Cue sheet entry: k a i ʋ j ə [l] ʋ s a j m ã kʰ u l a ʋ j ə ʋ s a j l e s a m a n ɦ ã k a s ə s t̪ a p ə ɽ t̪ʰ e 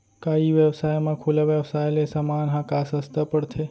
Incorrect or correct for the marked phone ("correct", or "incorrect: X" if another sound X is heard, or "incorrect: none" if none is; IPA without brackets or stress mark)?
incorrect: none